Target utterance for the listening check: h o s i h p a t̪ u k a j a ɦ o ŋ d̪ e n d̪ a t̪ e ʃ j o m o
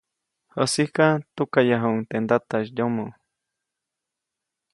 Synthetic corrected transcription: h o s i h k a t̪ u k a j a ɦ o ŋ t̪ e n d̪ a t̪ a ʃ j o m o